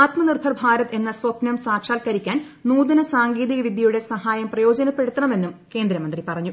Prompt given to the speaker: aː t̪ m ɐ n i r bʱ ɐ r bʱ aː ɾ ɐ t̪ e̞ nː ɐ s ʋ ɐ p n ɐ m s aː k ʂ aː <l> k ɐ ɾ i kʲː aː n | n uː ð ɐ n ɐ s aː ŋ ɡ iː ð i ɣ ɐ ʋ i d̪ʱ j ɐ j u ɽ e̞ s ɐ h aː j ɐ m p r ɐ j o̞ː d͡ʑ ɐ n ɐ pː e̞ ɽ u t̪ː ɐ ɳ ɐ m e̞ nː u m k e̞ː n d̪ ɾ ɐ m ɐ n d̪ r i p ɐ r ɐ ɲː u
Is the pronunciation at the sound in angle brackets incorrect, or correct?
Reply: correct